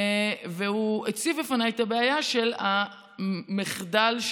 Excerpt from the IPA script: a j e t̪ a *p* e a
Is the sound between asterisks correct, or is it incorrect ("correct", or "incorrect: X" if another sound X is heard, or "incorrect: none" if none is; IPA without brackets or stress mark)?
incorrect: b